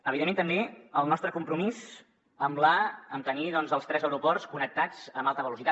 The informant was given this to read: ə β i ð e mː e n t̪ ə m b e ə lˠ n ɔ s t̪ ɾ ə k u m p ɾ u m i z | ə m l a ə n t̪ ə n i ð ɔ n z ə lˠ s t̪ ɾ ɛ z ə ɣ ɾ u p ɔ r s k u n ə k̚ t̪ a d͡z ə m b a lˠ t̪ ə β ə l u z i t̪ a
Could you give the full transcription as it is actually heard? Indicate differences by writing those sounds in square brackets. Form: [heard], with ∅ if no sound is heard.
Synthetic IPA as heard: ə β i ð e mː e n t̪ ə m b e ə lˠ n ɔ s t̪ ɾ ə k u m p ɾ u m i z | ə m l a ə [m] t̪ ə n i ð ɔ n z ə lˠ s t̪ ɾ ɛ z ə [w] ɾ u p ɔ r s k u n ə k̚ t̪ a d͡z ə m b a lˠ t̪ ə β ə l u [s] i t̪ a